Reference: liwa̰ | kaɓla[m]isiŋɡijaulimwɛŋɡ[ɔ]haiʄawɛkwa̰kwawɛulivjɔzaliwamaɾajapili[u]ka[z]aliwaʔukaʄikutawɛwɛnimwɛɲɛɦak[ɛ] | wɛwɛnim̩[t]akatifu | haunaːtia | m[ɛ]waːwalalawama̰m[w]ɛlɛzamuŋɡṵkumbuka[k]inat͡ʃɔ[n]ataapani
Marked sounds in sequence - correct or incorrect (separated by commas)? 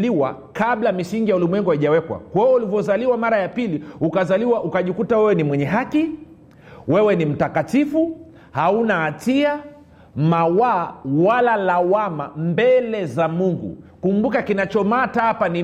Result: correct, incorrect, correct, correct, incorrect, correct, incorrect, incorrect, correct, incorrect